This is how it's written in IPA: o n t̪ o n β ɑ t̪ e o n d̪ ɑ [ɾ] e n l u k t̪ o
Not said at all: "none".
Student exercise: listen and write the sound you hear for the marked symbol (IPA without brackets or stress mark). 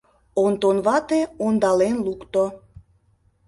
l